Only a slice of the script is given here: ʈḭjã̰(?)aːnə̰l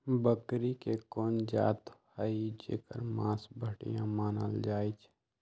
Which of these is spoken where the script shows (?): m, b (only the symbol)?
m